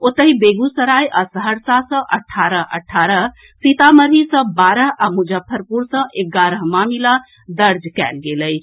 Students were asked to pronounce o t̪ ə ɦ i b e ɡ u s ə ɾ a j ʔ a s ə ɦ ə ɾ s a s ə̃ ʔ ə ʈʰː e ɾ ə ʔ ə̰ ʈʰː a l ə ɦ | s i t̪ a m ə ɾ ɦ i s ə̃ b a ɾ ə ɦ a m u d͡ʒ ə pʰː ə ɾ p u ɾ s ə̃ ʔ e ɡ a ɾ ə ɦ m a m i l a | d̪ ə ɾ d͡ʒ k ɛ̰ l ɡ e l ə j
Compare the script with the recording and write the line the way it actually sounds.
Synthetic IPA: o t̪ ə ɦ i b e ɡ u s ə ɾ a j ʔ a s ə ɦ ə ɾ s a s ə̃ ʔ ə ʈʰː a ɾ ə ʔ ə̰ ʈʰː a ɾ ə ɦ | s i t̪ a m ə ɾ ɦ i s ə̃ b a ɾ ə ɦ a m u d͡ʒ ə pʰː ə ɾ p u ɾ s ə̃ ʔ e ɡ a ɾ ə ɦ m a m i l a | d̪ ə ɾ d͡ʒ k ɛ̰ l ɡ e l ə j